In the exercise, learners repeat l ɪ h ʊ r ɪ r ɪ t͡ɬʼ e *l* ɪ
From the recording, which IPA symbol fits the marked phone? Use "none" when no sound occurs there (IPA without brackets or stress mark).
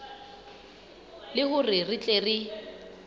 r